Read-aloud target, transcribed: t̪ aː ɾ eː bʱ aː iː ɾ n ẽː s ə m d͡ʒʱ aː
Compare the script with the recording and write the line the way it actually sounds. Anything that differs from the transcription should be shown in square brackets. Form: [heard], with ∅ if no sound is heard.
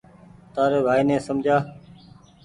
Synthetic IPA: t̪ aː ɾ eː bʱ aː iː [∅] n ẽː s ə m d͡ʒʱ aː

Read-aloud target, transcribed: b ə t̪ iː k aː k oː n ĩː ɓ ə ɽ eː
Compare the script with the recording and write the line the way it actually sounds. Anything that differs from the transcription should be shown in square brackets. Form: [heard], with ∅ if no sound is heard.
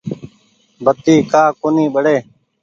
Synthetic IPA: b ə t̪ iː k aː k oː n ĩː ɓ ə ɽ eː

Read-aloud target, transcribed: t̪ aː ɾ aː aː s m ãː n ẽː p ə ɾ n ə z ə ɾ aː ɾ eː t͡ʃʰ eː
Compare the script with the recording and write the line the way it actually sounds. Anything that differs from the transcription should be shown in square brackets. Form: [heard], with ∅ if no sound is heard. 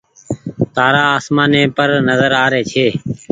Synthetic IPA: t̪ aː ɾ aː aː s m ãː n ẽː p ə ɾ n ə z ə ɾ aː ɾ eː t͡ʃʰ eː

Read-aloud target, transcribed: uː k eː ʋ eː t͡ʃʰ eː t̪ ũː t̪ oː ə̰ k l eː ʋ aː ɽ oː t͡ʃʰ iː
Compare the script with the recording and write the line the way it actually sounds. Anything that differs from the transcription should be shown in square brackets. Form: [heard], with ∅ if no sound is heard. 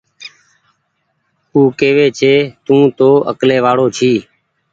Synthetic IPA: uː k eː ʋ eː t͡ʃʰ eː t̪ ũː t̪ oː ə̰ k l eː ʋ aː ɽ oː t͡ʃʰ iː

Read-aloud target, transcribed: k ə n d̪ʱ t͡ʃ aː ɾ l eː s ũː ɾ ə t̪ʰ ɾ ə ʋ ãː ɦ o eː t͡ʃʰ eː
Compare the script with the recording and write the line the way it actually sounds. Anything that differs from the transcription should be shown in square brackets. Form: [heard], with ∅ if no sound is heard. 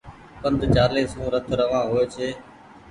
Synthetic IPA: k ə n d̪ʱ t͡ʃ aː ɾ l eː s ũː ɾ ə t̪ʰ ɾ ə ʋ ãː ɦ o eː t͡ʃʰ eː

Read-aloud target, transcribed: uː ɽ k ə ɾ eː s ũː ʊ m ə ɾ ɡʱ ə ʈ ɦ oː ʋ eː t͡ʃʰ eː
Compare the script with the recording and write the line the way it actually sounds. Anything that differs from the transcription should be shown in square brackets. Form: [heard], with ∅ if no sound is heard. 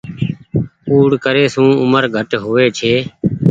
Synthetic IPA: uː ɽ k ə ɾ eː s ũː ʊ m ə ɾ ɡʱ ə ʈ ɦ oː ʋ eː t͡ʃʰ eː

